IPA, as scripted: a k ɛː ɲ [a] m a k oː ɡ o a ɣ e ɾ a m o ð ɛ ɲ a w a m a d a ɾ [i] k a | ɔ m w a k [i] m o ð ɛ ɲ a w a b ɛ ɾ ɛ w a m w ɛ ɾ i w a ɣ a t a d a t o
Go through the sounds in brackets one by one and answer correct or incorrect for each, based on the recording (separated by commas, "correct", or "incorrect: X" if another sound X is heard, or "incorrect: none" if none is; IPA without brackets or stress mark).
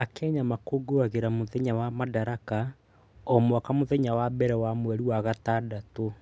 correct, incorrect: a, incorrect: a